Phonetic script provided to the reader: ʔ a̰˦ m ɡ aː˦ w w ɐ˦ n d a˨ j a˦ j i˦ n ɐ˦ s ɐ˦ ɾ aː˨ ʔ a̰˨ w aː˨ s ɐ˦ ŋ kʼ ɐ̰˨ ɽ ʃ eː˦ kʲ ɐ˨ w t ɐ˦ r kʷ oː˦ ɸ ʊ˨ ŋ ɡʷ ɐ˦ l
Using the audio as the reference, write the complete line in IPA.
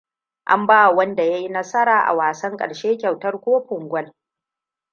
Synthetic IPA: ʔ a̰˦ m b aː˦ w w ɐ˦ n d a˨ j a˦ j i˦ n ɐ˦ s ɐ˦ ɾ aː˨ ʔ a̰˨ w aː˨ s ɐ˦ ŋ kʼ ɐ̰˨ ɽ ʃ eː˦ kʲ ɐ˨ w t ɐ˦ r kʷ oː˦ ɸ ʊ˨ ŋ ɡʷ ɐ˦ l